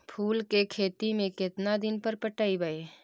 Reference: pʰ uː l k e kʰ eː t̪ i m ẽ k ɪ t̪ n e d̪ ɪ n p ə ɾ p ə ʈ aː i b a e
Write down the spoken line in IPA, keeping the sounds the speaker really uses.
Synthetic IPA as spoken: pʰ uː l k e kʰ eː t̪ i m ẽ k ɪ t̪ n a d̪ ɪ n p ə ɾ p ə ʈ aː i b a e